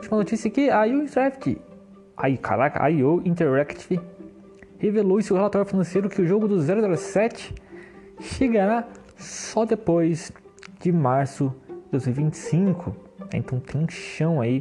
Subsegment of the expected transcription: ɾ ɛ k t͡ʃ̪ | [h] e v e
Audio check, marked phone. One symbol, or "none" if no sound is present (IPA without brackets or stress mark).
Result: h